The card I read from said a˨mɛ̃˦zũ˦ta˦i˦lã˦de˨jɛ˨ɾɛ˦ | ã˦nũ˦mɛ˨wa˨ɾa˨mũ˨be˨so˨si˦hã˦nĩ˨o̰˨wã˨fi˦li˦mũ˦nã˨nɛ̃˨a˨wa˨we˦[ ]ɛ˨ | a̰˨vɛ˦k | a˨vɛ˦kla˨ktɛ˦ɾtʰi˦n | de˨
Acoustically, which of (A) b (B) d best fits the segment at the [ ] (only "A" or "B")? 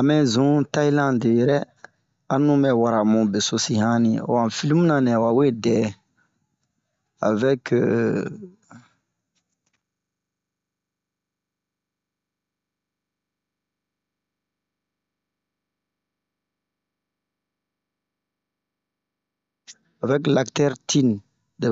B